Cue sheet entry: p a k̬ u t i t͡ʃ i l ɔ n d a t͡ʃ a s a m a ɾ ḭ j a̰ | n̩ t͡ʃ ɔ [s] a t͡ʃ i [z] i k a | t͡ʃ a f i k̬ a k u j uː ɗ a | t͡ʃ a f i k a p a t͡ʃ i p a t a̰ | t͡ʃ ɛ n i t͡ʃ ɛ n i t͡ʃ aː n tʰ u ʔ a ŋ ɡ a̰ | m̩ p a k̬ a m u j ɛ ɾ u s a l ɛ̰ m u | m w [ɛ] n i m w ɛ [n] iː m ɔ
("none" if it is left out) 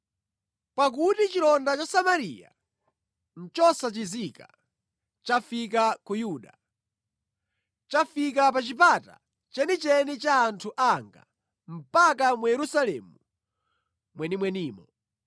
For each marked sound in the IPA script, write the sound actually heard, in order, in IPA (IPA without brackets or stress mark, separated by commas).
s, z, ɛ, n